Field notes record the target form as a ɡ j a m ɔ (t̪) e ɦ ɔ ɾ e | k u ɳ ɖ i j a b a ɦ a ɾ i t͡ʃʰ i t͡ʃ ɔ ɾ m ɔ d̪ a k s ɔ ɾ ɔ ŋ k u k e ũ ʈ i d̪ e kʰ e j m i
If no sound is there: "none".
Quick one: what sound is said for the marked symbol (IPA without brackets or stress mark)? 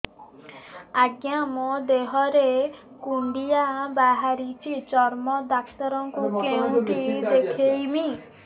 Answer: d̪